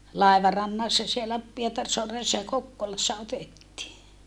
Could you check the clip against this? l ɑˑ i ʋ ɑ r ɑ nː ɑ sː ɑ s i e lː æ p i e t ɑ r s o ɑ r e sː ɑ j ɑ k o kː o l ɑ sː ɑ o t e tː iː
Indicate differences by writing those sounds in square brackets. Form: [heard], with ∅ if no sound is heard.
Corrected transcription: l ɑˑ i ʋ ɑ r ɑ nː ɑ sː ɑ s i e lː æ p i e t ɑ r s o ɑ r e sː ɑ j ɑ k o kː o l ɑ sː ɑ o t e tː iː